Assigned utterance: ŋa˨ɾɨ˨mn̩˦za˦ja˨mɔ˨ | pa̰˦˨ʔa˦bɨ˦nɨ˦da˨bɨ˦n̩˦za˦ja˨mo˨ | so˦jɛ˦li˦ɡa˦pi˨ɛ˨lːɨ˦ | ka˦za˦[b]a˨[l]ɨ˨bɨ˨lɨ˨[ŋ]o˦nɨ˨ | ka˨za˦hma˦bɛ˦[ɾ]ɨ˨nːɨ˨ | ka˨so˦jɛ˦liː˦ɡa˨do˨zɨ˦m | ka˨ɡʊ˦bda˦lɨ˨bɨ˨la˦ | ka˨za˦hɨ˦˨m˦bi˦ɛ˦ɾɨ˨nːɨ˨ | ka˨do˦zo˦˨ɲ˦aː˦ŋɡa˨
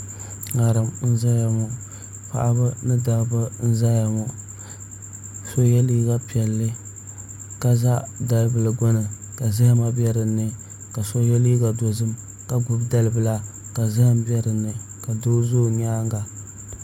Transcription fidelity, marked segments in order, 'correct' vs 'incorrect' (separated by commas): incorrect, correct, incorrect, correct